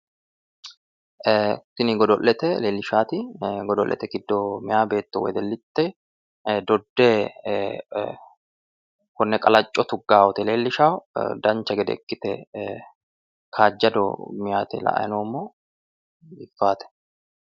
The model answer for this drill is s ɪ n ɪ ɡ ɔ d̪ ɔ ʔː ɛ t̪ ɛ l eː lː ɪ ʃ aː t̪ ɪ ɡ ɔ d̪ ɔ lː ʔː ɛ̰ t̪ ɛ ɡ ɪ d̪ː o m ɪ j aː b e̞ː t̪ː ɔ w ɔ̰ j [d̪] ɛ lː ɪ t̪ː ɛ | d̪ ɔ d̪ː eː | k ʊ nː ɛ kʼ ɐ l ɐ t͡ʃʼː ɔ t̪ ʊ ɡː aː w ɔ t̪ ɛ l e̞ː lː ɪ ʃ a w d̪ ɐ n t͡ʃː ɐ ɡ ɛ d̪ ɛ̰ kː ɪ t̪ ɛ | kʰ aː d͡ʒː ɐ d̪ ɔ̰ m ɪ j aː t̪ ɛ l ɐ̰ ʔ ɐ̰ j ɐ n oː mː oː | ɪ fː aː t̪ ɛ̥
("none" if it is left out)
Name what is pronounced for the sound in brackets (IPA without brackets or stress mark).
d̪